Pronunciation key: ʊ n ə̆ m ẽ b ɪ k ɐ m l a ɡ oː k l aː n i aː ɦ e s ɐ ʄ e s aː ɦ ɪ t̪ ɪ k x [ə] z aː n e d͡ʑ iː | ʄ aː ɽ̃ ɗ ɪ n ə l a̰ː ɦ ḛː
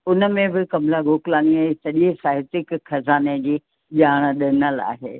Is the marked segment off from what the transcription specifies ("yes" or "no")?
yes